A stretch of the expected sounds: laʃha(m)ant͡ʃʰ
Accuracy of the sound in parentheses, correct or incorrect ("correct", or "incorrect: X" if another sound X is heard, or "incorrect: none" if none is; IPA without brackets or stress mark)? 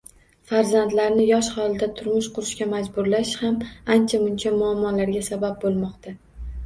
correct